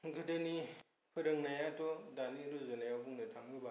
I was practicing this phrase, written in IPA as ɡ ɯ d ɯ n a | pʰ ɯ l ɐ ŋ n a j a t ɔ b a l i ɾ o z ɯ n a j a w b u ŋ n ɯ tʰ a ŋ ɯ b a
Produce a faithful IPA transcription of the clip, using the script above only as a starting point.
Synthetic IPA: ɡ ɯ d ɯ n i | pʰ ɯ ɾ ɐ ŋ n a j a t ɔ d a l i ɾ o z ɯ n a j a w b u ŋ n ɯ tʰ a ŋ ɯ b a